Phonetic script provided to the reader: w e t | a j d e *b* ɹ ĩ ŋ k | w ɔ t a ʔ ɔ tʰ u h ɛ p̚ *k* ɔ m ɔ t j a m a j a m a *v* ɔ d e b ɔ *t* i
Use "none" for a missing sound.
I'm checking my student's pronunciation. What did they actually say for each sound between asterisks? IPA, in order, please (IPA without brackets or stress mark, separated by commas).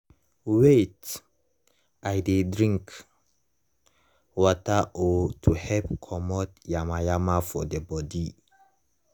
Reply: d, kʰ, f, d